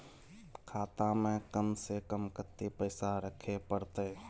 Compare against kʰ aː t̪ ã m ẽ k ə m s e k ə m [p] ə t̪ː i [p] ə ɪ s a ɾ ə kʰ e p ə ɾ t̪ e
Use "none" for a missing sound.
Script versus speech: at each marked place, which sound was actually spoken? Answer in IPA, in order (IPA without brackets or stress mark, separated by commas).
k, p